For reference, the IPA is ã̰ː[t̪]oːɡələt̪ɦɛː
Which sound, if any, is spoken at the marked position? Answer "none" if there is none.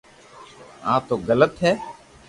t̪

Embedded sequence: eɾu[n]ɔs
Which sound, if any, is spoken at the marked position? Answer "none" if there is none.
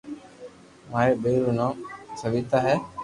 n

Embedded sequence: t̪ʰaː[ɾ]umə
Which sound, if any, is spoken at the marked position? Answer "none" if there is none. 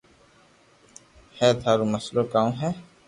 ɾ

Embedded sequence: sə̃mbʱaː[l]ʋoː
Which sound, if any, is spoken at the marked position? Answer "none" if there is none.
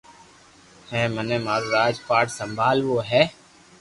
l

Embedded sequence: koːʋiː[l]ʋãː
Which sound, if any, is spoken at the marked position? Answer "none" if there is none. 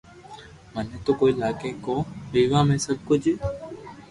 none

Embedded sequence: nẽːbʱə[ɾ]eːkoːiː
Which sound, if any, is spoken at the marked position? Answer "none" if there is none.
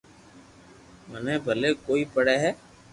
l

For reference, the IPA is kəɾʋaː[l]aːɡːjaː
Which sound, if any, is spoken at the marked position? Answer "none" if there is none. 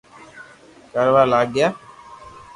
l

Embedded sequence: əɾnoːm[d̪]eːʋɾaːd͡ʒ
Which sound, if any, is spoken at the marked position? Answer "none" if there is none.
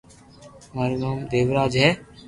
d̪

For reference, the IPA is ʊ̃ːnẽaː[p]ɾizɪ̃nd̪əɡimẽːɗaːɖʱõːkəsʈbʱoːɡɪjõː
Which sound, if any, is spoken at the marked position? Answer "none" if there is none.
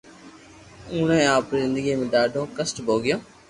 p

